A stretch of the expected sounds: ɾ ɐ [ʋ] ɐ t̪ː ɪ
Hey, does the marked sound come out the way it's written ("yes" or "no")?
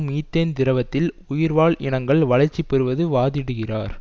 yes